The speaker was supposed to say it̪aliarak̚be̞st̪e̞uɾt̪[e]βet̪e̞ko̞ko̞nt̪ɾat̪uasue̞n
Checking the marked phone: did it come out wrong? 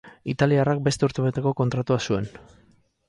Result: no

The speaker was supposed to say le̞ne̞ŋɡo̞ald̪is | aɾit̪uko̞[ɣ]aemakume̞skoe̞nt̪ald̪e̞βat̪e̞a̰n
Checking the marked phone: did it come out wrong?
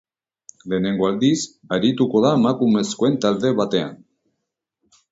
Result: yes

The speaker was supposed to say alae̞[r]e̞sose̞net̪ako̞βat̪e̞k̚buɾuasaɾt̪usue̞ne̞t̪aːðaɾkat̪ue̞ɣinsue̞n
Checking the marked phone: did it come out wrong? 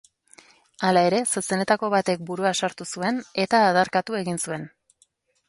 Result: yes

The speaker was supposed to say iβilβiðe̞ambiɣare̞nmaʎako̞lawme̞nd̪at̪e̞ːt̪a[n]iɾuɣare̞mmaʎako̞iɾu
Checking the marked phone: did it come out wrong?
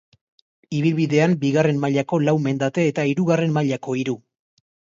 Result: yes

